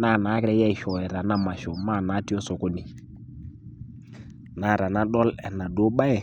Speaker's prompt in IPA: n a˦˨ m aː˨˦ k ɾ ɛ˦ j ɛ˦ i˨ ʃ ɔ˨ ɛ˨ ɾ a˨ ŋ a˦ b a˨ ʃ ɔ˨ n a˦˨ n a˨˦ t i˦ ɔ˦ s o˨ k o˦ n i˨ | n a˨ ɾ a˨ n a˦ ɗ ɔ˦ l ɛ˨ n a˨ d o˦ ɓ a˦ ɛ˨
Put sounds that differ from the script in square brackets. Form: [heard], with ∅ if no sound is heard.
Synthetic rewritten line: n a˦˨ [n] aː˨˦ k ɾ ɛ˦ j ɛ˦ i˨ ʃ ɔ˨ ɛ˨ ɾ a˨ [n] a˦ [m] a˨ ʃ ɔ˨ [m] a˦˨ n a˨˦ t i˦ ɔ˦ s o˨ k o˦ n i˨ | n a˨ ɾ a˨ n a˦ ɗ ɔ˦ l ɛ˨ n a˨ d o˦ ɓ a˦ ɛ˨